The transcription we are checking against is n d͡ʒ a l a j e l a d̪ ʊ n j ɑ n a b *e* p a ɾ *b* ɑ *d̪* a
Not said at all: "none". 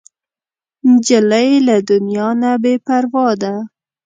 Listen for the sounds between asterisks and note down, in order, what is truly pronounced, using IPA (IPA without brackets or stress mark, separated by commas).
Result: e, w, d̪